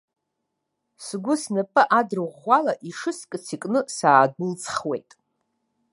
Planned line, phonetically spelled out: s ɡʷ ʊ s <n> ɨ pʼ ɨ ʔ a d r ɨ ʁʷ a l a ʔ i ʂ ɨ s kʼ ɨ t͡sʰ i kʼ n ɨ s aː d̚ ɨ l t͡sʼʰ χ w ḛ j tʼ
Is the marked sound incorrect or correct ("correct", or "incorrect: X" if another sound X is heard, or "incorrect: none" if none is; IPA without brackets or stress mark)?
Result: correct